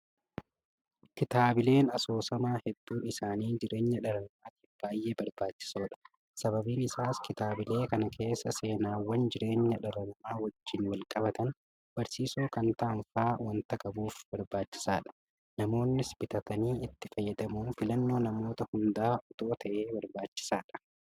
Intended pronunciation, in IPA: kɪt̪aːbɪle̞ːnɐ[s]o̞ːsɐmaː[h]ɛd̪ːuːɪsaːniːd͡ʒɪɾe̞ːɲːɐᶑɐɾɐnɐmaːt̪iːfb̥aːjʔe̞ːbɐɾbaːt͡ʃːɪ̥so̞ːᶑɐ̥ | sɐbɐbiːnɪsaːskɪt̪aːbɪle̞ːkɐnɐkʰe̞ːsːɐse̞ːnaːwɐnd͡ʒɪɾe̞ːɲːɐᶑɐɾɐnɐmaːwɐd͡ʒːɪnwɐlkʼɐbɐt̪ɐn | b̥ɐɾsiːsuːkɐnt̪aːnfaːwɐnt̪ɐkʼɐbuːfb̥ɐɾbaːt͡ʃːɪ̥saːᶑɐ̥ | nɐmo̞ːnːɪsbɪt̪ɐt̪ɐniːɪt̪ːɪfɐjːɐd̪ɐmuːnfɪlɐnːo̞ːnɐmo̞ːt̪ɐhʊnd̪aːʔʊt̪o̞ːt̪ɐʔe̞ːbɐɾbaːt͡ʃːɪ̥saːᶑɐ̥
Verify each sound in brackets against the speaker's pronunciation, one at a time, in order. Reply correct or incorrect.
correct, correct

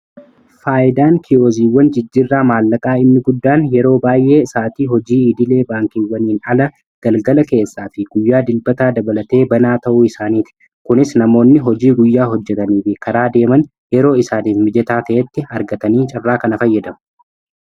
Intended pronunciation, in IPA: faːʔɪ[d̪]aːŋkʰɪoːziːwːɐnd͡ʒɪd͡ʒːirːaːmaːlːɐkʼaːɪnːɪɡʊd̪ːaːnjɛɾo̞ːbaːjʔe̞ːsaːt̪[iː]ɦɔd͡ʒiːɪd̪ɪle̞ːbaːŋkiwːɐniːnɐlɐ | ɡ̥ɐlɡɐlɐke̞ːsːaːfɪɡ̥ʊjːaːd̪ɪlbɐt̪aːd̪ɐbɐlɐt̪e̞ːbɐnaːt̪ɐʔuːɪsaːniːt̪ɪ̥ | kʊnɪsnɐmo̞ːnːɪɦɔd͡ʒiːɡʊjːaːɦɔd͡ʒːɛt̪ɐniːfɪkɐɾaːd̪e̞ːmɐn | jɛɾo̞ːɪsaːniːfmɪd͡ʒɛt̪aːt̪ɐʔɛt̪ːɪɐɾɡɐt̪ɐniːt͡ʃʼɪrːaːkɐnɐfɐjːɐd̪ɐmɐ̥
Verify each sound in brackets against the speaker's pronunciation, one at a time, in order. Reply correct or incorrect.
correct, correct

